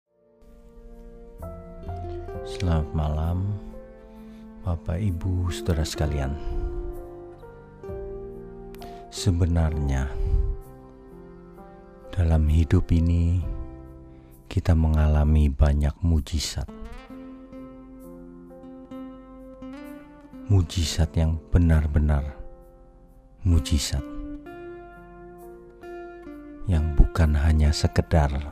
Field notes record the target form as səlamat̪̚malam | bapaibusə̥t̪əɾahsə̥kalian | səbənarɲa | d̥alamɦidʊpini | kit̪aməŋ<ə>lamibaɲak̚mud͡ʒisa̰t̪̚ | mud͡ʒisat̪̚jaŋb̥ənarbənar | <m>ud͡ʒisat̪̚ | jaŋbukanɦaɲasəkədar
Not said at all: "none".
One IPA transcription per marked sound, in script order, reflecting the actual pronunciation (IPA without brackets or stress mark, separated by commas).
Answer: a, m